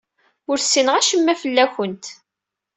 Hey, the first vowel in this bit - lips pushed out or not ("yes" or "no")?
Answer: yes